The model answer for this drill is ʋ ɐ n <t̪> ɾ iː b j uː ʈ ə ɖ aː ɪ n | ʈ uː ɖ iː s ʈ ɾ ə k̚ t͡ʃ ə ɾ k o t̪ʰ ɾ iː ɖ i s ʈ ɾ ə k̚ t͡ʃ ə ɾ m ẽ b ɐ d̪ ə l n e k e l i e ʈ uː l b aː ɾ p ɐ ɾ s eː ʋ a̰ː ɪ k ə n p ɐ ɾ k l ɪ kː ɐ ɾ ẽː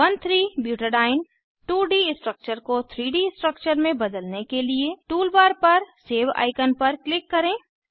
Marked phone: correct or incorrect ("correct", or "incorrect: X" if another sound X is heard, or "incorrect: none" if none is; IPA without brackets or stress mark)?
incorrect: t̪ʰ